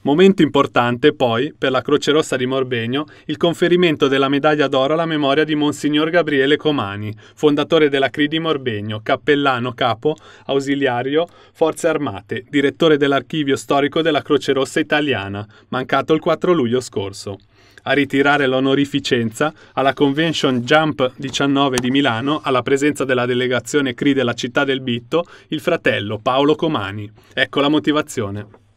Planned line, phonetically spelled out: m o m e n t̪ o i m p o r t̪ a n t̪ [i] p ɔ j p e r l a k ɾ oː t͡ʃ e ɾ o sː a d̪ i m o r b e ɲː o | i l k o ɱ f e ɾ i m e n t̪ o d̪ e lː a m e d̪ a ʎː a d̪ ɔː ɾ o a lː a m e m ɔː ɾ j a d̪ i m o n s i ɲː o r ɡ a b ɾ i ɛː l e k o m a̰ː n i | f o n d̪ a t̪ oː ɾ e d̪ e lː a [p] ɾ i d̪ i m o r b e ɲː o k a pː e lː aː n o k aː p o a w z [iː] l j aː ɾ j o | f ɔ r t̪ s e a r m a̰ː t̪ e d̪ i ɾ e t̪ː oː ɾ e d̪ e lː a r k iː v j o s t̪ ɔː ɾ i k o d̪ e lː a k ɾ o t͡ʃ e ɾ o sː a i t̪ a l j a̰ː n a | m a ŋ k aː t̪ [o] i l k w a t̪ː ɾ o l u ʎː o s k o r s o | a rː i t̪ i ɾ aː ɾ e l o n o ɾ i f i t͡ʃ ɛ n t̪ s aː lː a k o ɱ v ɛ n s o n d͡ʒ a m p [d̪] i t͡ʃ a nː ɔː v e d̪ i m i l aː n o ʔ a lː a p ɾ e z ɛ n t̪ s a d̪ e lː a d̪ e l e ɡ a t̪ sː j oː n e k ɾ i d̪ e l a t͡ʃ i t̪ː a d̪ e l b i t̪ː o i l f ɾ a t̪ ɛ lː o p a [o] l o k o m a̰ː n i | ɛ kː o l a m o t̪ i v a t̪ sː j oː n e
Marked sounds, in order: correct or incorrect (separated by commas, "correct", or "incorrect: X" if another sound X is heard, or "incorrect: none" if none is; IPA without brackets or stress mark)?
incorrect: e, incorrect: k, incorrect: i, correct, correct, correct